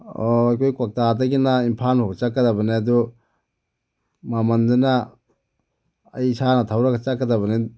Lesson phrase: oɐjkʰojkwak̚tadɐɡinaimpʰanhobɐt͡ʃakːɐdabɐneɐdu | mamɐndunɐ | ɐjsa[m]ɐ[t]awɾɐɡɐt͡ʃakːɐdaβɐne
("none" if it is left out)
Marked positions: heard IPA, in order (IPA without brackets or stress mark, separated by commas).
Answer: n, tʰ